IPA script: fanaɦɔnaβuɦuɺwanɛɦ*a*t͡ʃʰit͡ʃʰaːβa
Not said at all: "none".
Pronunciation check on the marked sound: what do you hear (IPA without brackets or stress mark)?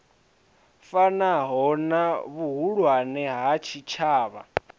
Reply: a